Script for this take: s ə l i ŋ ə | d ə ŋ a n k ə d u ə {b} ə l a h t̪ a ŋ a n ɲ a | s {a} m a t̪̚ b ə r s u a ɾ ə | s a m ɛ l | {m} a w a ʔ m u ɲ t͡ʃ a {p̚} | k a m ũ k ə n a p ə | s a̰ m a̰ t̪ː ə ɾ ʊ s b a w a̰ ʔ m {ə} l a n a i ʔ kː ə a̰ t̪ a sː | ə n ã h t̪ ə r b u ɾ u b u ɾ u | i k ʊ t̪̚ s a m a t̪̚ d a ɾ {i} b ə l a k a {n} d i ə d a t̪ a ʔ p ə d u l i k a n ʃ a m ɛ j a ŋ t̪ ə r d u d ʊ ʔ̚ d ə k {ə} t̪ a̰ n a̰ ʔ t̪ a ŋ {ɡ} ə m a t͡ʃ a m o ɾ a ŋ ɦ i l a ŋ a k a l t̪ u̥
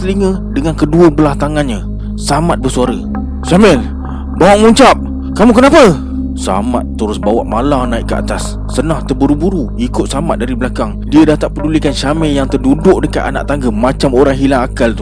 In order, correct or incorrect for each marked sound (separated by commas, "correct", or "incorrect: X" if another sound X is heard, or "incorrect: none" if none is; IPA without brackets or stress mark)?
correct, correct, incorrect: b, correct, incorrect: a, correct, incorrect: ŋ, incorrect: a, correct